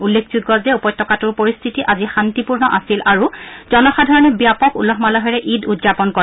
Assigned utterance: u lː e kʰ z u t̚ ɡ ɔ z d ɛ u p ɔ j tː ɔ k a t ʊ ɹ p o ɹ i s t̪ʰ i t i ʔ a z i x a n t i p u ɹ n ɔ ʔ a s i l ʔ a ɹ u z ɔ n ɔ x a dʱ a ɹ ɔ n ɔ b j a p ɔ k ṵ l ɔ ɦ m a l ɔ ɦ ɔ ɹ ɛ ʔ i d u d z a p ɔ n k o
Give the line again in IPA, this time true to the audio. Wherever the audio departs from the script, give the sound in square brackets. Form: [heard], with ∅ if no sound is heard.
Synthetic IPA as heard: u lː e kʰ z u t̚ ɡ ɔ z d ɛ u p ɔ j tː ɔ k a t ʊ ɹ p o ɹ i s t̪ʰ i t i ʔ a z i x a n t i p u ɹ n ɔ ʔ a s i l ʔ a ɹ u z ɔ n ɔ x a dʱ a ɹ ɔ n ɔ b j a p ɔ k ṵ l ɔ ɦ m a l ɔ ɦ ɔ ɹ ɛ ʔ i d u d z a p ɔ n k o